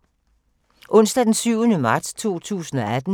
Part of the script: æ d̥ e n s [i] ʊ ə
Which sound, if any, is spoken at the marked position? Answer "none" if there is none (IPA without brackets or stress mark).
y